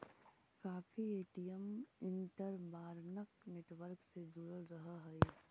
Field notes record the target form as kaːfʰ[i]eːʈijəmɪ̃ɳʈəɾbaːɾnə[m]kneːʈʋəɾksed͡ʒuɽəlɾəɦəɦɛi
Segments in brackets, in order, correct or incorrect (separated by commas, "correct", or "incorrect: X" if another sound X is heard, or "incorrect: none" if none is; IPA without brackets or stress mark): correct, incorrect: none